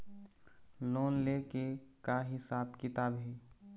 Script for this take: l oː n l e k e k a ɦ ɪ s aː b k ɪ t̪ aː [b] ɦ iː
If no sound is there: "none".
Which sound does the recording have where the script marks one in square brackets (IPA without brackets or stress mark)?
b